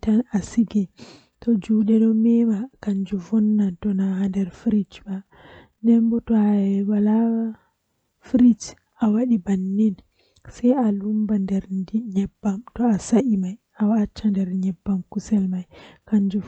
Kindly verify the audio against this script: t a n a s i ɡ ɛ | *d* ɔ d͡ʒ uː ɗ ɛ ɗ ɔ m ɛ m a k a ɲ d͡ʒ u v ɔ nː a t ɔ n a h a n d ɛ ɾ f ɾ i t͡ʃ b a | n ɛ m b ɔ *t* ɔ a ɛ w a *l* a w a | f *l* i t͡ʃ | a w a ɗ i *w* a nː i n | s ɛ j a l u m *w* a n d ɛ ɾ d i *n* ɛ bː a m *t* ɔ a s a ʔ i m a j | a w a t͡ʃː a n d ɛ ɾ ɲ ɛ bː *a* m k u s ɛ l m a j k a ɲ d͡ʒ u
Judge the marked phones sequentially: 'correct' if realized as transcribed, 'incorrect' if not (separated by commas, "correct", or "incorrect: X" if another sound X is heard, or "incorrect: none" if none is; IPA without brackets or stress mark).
incorrect: t, correct, correct, incorrect: ɾ, incorrect: b, incorrect: b, incorrect: ɲ, correct, correct